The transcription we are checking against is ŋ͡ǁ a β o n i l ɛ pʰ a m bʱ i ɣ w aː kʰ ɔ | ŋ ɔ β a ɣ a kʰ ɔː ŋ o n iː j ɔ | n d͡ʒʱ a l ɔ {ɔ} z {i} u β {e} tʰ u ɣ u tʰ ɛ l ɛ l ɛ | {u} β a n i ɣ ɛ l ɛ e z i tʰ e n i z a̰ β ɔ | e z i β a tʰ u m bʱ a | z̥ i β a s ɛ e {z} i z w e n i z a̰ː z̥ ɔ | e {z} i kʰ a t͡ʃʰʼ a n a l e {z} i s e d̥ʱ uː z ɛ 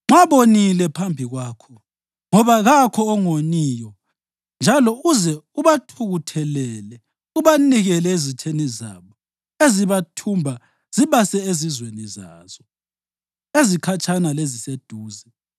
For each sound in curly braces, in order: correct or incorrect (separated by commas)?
incorrect, incorrect, incorrect, correct, correct, correct, correct